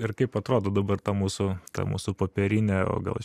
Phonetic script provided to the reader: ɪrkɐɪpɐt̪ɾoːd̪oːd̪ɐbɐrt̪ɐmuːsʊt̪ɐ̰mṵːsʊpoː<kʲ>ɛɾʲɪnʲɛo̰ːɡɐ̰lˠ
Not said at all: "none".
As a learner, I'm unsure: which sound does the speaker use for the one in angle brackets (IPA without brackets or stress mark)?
pʲ